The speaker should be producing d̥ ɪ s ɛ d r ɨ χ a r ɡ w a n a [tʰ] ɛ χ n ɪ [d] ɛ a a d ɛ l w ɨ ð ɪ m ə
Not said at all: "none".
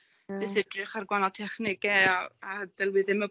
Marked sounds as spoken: tʰ, ɡ

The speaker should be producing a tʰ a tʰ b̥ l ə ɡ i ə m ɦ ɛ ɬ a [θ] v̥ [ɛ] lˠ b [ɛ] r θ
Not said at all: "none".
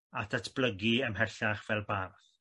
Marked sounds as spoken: χ, ɛ, a

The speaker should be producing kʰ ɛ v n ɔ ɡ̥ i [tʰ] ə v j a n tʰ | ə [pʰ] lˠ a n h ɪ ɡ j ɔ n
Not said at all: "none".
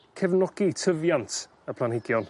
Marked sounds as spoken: tʰ, pʰ

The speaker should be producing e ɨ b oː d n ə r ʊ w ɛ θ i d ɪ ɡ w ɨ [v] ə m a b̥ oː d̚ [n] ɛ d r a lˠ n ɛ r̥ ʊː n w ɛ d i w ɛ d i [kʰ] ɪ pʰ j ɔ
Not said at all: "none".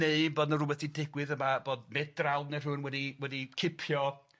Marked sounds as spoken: ð, m, kʰ

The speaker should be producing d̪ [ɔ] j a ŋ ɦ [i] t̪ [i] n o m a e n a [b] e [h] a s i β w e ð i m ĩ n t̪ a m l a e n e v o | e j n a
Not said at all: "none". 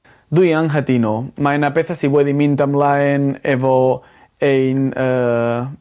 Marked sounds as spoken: u, a, i, p, θ

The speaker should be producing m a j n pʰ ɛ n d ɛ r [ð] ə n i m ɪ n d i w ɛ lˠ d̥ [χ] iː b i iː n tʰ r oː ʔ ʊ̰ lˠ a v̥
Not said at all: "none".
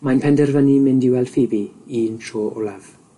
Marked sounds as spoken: v, f

